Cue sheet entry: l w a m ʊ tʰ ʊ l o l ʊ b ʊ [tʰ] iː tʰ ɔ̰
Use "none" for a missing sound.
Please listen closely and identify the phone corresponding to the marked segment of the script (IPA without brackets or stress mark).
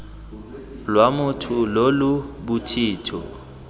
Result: tʰ